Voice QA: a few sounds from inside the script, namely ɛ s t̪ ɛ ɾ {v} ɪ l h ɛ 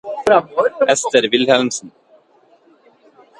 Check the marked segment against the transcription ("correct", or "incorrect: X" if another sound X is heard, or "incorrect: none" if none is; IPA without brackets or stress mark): correct